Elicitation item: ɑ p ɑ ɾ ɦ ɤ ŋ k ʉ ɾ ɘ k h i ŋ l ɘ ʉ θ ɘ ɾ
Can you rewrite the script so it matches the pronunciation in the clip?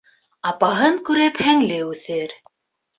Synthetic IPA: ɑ p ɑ ɦ ɤ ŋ k ʉ ɾ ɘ p h æ ŋ l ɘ ʉ θ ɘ ɾ